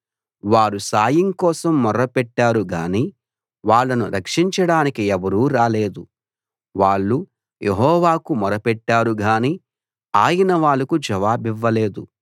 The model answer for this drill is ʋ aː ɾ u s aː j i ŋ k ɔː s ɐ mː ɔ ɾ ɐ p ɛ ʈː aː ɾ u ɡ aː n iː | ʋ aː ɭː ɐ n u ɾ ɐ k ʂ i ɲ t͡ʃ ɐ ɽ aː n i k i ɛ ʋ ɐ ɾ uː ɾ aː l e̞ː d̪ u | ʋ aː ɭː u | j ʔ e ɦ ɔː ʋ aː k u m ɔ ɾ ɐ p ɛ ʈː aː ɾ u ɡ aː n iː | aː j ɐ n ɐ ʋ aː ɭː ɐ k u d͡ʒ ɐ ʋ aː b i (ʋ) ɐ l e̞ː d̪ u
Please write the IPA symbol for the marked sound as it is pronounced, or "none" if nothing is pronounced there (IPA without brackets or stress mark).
ʋː